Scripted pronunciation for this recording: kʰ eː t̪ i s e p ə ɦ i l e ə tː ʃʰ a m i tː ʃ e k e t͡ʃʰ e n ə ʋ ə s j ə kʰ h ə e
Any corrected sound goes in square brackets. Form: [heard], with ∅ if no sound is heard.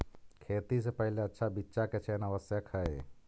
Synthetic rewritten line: kʰ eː t̪ i s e p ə ɦ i l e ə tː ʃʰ a [b] i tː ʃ [a] k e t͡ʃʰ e n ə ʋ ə s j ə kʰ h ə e